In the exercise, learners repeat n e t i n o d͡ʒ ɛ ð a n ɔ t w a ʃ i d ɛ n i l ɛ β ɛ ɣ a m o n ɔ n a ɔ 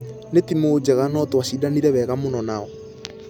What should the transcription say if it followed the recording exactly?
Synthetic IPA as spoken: n e t i m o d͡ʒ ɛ ɣ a n ɔ t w a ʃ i d a n i ɾ ɛ β ɛ ɣ a m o n ɔ n a ɔ